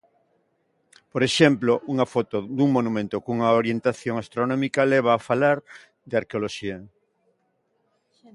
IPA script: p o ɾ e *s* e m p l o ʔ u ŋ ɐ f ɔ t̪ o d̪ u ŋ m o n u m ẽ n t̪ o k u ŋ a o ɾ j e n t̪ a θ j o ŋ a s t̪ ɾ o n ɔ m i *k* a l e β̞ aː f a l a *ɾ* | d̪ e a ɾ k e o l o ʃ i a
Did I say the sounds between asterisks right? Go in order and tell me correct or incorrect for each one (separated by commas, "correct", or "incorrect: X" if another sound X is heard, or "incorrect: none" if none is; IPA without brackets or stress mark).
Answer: incorrect: ʃ, correct, correct